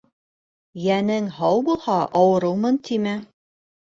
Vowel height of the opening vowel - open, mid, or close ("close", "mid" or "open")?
open